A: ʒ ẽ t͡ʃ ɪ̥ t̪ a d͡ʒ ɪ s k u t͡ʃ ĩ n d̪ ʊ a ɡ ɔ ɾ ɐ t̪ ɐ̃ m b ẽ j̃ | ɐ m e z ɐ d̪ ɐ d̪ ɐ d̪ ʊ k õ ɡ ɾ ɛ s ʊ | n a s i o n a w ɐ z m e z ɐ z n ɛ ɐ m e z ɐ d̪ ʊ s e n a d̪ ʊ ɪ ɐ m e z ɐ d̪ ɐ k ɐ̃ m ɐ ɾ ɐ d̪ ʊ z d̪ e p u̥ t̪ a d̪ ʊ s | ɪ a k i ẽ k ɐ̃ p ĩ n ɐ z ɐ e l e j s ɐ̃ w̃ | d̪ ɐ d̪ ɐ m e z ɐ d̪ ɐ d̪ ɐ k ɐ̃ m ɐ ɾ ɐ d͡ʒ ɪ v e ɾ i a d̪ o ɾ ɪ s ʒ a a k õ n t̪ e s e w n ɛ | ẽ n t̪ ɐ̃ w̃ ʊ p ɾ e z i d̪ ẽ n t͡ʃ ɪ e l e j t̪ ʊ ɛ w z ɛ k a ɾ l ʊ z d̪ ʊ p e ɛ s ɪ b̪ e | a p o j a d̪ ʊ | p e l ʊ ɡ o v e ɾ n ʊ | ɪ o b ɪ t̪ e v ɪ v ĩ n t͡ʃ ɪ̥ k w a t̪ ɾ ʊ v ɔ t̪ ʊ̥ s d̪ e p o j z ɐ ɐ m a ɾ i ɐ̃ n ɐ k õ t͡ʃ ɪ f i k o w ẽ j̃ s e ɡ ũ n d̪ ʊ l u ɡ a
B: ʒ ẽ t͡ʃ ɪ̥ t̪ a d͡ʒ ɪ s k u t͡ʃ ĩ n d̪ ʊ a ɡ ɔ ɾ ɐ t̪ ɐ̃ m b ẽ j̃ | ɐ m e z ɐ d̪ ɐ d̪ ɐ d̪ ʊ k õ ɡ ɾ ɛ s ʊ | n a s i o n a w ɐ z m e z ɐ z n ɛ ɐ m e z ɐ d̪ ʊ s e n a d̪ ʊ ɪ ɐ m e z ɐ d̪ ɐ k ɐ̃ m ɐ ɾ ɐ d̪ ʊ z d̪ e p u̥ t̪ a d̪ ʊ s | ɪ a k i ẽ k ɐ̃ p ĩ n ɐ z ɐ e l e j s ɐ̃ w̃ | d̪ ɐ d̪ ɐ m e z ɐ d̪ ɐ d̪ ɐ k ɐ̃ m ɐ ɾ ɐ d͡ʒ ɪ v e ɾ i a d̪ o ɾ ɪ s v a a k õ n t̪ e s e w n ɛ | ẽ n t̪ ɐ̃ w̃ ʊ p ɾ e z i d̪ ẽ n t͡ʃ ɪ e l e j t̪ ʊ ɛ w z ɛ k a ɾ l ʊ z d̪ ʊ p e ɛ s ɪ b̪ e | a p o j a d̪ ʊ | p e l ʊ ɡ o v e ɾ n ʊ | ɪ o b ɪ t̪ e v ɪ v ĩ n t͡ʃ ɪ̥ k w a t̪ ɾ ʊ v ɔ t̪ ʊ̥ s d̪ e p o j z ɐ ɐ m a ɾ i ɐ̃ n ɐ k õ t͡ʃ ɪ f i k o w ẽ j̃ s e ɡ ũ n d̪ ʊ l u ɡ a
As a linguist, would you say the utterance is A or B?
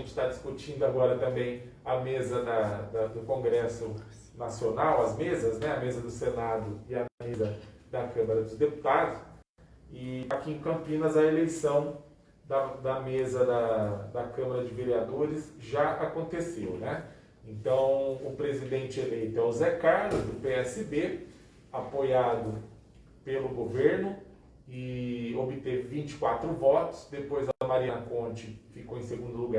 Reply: A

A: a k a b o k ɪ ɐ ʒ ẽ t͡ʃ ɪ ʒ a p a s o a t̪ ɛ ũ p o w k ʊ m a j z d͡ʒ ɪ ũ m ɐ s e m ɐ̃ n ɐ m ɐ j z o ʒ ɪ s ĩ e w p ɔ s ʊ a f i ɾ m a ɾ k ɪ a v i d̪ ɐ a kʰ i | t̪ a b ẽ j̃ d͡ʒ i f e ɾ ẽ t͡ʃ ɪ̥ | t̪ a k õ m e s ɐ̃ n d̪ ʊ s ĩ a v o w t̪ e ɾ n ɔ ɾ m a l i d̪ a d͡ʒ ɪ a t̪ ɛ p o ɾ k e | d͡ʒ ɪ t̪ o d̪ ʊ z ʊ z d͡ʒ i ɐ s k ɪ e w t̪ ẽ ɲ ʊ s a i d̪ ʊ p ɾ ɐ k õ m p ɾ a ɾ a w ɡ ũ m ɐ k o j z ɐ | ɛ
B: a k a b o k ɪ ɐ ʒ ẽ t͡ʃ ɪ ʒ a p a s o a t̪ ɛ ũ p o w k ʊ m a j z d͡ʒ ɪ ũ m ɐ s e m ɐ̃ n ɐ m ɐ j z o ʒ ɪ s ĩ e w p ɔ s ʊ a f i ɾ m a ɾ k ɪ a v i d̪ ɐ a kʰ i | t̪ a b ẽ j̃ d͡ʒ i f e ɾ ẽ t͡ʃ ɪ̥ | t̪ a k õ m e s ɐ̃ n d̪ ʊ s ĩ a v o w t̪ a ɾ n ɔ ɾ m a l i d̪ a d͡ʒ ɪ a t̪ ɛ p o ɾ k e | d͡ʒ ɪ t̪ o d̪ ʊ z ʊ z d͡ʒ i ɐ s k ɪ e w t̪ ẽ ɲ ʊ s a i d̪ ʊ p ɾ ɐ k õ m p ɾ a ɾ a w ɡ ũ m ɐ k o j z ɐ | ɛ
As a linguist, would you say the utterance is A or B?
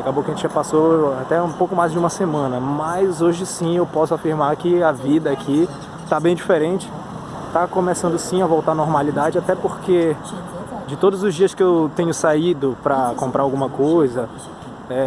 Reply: B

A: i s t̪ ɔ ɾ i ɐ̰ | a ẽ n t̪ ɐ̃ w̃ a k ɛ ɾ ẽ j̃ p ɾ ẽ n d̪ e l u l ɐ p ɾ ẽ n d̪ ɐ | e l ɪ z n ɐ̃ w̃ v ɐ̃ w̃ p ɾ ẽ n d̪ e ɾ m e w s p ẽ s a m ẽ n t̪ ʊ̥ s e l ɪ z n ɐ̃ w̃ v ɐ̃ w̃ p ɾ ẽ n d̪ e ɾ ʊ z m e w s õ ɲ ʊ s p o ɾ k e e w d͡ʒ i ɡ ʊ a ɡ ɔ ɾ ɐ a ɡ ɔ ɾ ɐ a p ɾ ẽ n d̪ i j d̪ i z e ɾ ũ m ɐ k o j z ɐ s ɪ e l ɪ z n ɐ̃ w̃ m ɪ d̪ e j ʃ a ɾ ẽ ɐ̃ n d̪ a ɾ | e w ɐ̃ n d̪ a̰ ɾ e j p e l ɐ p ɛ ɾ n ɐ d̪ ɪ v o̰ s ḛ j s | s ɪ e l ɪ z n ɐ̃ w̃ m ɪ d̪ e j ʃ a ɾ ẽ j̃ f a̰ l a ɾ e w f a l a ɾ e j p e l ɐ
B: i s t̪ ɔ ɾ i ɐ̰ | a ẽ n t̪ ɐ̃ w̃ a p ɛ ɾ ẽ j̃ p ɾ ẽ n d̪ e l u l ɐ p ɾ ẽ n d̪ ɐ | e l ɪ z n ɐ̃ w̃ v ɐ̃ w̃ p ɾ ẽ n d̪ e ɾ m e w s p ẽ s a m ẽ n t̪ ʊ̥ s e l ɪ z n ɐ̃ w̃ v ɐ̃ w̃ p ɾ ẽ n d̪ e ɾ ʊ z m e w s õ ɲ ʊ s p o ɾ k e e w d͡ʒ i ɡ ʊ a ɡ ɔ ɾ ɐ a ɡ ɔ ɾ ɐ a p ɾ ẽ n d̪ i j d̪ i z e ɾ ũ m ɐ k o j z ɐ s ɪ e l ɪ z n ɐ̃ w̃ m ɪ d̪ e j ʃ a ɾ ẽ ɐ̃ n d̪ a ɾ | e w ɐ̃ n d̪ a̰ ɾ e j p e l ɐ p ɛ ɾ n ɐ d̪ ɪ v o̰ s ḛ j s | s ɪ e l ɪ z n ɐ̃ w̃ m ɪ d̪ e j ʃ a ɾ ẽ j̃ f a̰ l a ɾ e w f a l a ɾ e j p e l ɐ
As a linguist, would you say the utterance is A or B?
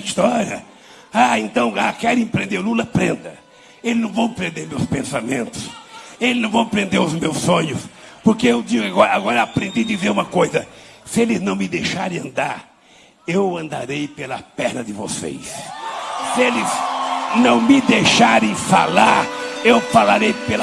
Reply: A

